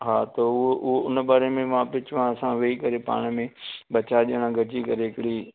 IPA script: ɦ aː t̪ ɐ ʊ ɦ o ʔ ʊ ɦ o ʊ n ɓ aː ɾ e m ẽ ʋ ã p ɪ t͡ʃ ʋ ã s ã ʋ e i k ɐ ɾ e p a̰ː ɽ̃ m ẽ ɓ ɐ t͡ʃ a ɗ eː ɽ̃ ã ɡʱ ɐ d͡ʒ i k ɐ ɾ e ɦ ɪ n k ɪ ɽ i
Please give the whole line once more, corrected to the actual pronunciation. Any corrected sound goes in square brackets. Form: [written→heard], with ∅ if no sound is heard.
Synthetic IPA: ɦ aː t̪ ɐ ʊ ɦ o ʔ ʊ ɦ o ʊ n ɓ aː ɾ e m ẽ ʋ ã p ɪ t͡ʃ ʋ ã s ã ʋ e i k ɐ ɾ e p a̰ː ɽ̃ m ẽ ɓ ɐ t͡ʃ a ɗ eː ɽ̃ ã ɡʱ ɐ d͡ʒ i k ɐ ɾ e ɦ ɪ [n→∅] k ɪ ɽ i